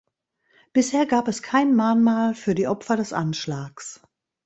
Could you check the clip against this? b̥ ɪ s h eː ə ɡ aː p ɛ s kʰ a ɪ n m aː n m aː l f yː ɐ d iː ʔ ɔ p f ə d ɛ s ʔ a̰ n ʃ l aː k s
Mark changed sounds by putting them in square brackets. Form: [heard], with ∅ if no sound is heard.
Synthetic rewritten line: b̥ ɪ s h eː [ɐ] ɡ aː p ɛ s kʰ a ɪ n m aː n m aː l f yː ɐ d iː ʔ ɔ p f [ɐ] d ɛ s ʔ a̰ n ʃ l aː k s